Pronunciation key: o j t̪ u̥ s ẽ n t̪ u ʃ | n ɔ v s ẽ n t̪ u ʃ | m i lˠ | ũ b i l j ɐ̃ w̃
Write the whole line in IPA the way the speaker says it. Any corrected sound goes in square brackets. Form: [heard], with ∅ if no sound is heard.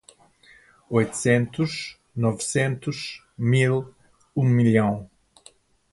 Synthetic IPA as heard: o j t̪ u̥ s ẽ n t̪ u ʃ | n ɔ v s ẽ n t̪ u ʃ | m i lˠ | ũ [m] i l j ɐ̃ w̃